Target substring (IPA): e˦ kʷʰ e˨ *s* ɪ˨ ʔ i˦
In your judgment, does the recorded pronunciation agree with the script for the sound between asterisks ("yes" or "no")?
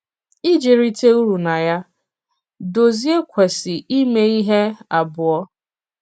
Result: yes